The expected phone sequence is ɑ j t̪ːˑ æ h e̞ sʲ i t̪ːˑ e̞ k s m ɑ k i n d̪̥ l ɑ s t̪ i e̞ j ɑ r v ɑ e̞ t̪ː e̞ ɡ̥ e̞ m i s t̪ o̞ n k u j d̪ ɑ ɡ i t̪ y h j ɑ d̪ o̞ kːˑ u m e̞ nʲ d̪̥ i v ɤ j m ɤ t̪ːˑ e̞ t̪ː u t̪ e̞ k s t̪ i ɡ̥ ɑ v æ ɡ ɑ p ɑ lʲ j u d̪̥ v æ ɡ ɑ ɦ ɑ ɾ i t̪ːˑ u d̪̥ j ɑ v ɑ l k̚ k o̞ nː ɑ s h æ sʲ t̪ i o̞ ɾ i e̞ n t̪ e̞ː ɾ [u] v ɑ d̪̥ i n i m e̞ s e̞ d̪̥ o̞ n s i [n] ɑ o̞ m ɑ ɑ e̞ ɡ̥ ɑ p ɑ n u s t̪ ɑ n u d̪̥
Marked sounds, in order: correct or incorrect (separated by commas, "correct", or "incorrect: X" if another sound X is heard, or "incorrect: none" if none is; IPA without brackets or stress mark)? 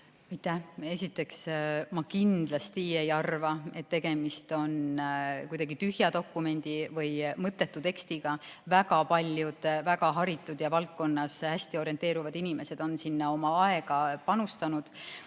correct, incorrect: nː